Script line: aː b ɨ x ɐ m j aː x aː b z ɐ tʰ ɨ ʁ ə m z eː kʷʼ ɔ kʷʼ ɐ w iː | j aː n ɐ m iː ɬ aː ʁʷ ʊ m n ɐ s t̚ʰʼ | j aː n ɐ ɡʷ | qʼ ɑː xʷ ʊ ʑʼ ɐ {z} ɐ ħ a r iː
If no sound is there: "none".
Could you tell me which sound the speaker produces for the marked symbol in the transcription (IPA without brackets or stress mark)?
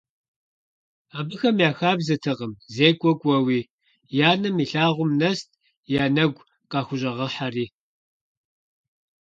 ʁ